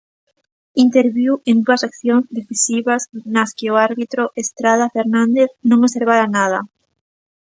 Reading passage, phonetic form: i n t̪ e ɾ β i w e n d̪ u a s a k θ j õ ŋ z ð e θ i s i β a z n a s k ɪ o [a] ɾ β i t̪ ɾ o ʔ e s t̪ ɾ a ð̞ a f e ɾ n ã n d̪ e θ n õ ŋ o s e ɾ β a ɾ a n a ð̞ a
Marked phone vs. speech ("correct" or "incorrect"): correct